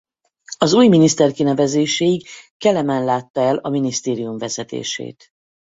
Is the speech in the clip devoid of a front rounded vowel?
yes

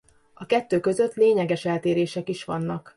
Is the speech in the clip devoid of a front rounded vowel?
no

